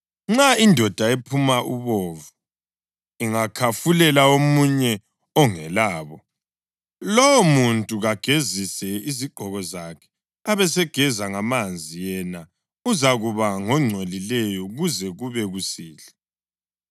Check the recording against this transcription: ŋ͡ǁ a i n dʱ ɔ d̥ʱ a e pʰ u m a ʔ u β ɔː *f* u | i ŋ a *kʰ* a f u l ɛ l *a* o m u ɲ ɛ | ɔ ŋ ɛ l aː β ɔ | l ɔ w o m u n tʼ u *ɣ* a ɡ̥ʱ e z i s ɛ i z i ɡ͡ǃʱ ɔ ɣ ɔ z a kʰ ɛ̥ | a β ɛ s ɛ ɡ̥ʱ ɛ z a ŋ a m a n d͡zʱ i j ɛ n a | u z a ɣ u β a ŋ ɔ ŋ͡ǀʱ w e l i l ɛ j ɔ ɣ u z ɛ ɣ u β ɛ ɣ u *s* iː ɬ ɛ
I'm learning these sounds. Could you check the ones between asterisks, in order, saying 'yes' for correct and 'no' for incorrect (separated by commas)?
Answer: no, yes, yes, yes, yes